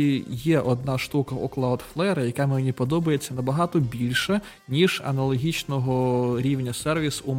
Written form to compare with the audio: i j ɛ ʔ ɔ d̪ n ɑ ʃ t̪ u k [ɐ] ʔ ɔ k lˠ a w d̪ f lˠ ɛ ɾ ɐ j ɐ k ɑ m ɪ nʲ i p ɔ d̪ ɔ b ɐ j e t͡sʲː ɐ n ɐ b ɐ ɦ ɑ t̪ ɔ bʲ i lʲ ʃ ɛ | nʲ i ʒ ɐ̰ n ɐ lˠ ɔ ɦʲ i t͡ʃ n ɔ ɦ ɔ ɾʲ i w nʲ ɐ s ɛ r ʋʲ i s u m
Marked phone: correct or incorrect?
correct